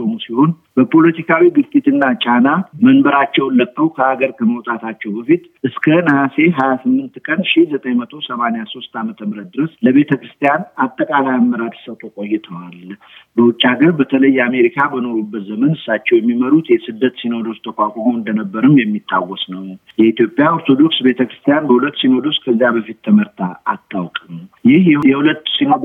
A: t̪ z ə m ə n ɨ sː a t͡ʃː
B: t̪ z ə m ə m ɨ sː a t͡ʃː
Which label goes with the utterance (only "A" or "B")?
A